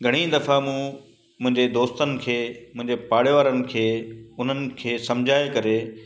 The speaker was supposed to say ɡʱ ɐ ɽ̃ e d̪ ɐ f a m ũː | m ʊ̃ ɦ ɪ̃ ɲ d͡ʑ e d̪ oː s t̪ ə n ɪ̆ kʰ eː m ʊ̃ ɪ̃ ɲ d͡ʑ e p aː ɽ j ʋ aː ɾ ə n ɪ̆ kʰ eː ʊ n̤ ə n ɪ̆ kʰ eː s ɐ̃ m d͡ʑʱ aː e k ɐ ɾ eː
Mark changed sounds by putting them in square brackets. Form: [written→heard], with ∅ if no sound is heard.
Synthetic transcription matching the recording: ɡʱ ɐ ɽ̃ [e→i] d̪ ɐ f a m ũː | m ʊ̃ ɦ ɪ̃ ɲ d͡ʑ e d̪ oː s t̪ ə n ɪ̆ kʰ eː m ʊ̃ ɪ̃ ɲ d͡ʑ e p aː ɽ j ʋ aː ɾ ə n ɪ̆ kʰ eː ʊ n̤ ə n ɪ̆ kʰ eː s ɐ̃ m d͡ʑʱ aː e k ɐ ɾ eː